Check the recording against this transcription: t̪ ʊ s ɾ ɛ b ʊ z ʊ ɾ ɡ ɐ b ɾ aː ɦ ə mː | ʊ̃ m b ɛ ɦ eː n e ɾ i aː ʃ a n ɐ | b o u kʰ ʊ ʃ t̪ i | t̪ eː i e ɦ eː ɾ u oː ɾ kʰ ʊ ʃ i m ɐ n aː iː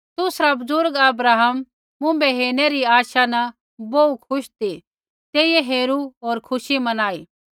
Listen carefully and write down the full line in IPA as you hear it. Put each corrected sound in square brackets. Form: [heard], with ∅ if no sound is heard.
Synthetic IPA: t̪ ʊ s ɾ [a] b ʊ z ʊ ɾ ɡ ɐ b ɾ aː ɦ ə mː | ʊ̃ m b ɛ ɦ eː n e ɾ i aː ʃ a n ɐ | b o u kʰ ʊ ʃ t̪ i | t̪ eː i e ɦ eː ɾ u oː ɾ kʰ ʊ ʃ i m ɐ n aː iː

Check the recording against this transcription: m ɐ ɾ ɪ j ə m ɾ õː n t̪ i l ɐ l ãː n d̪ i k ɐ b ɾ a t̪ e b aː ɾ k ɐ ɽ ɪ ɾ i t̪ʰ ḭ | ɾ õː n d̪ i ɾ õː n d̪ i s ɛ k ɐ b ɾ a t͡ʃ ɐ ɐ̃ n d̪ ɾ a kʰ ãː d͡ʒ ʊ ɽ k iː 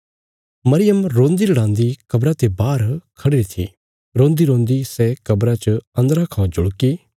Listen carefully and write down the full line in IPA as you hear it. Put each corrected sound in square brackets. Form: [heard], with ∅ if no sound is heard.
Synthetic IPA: m ɐ ɾ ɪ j ə m ɾ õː n [d̪] i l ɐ [ɽ] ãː n d̪ i k ɐ b ɾ a t̪ e b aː ɾ [kʰ] ɐ ɽ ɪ ɾ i t̪ʰ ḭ | ɾ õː n d̪ i ɾ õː n d̪ i s ɛ k ɐ b ɾ a t͡ʃ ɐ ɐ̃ n d̪ ɾ a kʰ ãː d͡ʒ ʊ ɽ k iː

